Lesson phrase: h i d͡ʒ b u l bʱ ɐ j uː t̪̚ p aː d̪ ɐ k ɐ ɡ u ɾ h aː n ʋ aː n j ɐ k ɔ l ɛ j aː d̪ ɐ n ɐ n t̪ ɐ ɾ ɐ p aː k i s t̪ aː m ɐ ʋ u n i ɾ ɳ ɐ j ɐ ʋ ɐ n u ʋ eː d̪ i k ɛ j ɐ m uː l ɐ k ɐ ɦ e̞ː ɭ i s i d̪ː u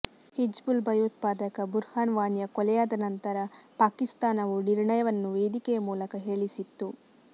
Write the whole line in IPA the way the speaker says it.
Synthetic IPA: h i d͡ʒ b u l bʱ ɐ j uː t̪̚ p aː d̪ ɐ k ɐ b u ɾ h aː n ʋ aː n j ɐ k ɔ l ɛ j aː d̪ ɐ n ɐ n t̪ ɐ ɾ ɐ p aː k i s t̪ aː n ɐ ʋ u n i ɾ ɳ ɐ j ɐ ʋ ɐ nː u ʋ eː d̪ i k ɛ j ɐ m uː l ɐ k ɐ ɦ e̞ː ɭ i s i t̪ː u